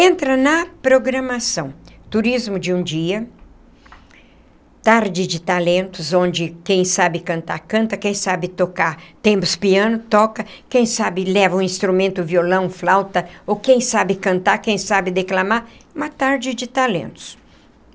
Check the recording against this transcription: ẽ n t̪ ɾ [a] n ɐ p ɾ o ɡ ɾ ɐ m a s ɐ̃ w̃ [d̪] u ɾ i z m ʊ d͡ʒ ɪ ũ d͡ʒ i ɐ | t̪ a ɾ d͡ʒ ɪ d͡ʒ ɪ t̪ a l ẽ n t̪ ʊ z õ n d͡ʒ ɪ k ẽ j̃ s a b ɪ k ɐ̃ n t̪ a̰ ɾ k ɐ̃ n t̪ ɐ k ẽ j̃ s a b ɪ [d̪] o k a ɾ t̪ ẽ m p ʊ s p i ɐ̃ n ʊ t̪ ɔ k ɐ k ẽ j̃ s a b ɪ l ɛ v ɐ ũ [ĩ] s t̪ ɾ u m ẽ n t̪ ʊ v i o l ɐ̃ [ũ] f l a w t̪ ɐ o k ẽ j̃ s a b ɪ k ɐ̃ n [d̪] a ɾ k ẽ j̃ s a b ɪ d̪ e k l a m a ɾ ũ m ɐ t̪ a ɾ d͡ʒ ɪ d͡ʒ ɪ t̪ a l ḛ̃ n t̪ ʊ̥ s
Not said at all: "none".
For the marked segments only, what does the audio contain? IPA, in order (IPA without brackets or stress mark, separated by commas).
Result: ɐ, t̪, t̪, ĩ, w̃, t̪